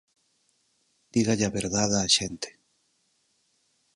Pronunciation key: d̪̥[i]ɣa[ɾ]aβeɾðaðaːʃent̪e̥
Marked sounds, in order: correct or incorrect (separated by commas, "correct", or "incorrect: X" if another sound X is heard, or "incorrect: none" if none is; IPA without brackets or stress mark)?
correct, incorrect: ʎ